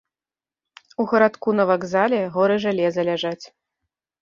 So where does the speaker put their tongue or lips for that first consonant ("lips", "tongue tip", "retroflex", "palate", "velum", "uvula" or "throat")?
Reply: velum